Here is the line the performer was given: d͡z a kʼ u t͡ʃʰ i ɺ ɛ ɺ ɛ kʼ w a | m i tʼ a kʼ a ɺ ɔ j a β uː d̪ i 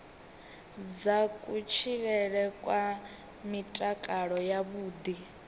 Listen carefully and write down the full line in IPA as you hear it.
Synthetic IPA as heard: d͡z a kʼ u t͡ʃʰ i ɺ ɛ ɺ ɛ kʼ w a | m i tʼ a kʼ a ɺ ɔ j a β uː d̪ i